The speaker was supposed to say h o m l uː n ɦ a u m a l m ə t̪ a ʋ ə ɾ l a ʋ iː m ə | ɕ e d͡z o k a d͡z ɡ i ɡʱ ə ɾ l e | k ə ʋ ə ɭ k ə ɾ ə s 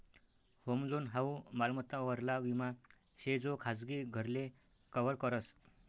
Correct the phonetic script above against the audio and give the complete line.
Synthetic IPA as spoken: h o m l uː n ɦ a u m a l m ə t̪ a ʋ ə ɾ l a ʋ i m a | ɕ e d͡z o kʰ a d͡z ɡ i ɡʱ ə ɾ l e | k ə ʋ ə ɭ k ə ɾ ə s